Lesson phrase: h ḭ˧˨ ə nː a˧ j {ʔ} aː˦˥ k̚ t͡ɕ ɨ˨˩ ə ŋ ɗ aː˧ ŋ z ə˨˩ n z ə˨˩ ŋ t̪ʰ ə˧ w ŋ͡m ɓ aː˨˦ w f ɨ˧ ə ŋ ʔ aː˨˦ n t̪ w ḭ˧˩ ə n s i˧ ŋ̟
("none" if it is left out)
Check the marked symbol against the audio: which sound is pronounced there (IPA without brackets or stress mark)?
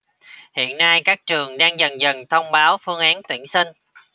k